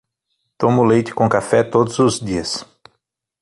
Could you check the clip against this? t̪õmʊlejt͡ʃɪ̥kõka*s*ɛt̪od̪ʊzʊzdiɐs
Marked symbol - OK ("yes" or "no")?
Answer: no